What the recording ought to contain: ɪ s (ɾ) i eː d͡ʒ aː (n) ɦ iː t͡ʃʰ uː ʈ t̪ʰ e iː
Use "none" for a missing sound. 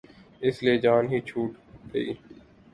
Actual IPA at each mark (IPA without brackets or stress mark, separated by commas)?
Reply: l, n